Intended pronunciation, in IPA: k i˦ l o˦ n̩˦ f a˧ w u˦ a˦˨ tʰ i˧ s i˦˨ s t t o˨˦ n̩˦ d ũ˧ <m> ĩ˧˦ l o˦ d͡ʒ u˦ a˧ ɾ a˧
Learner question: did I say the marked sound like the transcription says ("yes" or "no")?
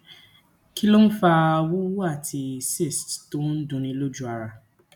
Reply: no